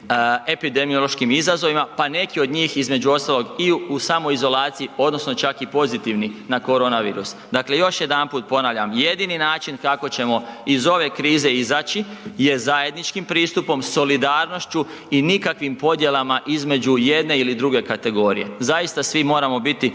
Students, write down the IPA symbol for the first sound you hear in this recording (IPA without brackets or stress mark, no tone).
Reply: e̞